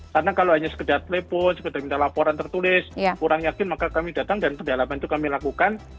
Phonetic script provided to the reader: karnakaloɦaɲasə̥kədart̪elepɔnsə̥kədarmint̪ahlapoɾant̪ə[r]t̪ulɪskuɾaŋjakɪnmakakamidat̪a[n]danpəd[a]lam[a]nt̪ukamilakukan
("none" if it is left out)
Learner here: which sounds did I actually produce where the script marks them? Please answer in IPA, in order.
r, ŋ, a, a

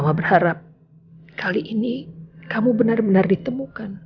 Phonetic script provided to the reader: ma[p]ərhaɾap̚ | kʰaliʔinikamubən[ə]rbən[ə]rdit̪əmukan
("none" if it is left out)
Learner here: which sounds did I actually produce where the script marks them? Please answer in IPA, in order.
b, a, a

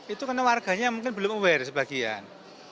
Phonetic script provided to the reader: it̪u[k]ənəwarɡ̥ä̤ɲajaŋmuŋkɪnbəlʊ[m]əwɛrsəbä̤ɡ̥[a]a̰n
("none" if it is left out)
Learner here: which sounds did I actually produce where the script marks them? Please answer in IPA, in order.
k, m, i

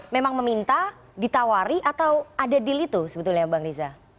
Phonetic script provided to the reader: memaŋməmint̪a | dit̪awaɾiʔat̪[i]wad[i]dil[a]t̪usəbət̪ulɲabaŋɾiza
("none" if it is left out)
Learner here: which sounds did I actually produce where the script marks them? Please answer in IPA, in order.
a, a, i

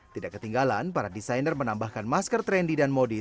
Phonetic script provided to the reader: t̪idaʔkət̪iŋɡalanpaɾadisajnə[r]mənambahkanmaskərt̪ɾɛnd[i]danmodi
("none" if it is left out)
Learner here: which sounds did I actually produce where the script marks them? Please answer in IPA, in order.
r, i

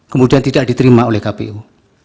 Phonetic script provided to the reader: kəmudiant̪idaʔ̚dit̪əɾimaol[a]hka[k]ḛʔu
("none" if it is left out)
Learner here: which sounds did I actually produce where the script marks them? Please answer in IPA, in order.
ɛ, p

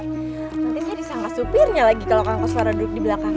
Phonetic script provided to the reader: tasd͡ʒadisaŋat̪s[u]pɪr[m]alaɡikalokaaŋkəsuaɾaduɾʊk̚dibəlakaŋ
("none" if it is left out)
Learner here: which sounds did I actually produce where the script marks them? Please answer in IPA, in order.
u, ɲ

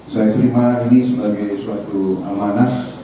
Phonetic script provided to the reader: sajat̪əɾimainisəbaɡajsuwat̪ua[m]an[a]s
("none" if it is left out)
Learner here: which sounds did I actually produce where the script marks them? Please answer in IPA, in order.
m, a

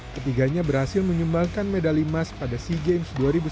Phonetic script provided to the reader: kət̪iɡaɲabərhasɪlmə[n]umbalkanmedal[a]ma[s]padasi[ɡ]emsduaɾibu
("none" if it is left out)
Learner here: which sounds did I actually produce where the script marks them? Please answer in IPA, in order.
ɲ, i, s, ɡ

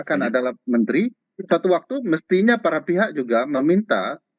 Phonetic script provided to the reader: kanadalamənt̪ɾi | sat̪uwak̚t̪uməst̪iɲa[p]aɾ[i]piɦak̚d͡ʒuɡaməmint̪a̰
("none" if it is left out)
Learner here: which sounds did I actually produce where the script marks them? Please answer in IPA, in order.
p, a

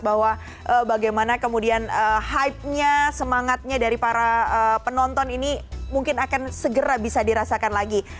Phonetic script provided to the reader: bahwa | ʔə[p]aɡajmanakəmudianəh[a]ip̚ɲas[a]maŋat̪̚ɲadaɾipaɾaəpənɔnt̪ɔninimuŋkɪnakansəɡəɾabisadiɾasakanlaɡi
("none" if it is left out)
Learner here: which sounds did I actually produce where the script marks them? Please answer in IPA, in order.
b, a, ə

